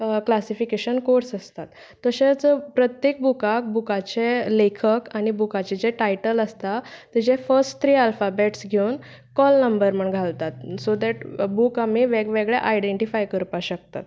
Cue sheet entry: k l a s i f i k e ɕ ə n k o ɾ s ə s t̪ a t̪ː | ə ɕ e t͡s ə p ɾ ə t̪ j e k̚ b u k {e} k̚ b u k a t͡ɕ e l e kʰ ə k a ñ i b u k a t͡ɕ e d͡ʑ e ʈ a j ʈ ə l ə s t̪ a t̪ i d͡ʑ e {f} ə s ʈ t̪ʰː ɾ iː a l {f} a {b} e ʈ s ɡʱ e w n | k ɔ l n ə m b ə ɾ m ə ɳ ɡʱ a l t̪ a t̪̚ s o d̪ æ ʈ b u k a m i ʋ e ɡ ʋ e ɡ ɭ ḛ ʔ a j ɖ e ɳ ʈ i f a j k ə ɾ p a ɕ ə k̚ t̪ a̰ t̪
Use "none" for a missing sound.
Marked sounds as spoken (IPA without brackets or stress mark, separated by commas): a, f, f, b